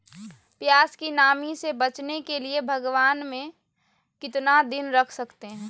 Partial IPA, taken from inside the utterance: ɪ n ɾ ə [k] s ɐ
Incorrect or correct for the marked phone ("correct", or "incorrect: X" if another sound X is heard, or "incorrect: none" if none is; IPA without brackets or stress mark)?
incorrect: kʰ